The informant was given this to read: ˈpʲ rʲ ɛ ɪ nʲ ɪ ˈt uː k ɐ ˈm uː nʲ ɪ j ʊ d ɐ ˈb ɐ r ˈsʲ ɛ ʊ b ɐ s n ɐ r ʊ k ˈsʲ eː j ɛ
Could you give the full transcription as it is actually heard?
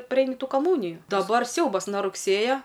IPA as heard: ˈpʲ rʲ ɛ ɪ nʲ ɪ ˈt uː k ɐ ˈm uː nʲ ɪ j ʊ d ɐ ˈb ɐ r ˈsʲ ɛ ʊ b ɐ s n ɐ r ʊ k ˈsʲ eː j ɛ